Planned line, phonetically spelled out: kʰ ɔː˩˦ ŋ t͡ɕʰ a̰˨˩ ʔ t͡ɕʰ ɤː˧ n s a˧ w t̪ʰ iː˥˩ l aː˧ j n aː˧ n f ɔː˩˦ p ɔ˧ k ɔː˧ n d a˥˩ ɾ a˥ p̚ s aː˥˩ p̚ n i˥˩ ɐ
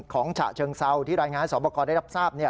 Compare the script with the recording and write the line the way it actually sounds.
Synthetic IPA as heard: kʰ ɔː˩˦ ŋ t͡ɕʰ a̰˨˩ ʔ t͡ɕʰ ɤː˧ ŋ s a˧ w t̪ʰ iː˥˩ ɾ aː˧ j ŋ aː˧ n s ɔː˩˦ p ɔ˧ k ɔː˧ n d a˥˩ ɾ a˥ p̚ s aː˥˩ p̚ n i˥˩ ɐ